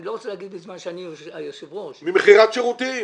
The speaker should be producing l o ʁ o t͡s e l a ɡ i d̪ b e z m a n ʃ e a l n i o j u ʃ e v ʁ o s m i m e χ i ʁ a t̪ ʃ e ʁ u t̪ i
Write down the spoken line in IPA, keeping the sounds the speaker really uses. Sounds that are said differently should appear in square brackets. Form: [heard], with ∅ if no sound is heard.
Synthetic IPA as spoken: l o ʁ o t͡s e l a ɡ i d̪ b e z m a n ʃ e a [∅] n i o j [o] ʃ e v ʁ o [ʃ] m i m e χ i ʁ a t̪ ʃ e ʁ u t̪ i